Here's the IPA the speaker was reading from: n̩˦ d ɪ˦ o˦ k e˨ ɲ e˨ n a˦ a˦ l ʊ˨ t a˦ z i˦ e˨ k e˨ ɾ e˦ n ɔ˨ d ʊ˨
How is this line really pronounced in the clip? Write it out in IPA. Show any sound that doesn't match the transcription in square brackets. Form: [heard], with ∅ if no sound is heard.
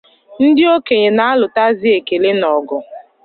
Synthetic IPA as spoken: n̩˦ d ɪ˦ o˦ k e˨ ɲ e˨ n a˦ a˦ l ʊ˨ t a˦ z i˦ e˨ k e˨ [l] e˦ n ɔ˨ [ɡ] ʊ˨